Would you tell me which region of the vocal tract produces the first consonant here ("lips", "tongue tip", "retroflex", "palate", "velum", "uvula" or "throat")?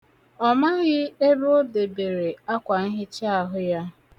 lips